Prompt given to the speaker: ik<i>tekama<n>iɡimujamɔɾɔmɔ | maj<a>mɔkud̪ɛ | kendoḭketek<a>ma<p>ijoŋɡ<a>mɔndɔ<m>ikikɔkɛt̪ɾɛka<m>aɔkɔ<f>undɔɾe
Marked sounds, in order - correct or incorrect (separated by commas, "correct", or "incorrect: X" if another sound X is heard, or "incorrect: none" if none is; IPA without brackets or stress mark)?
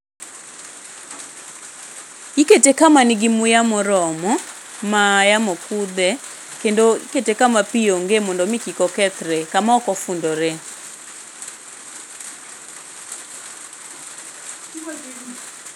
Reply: incorrect: e, correct, correct, correct, correct, incorrect: e, correct, correct, correct